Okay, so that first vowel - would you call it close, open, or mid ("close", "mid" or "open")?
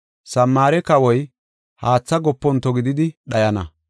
open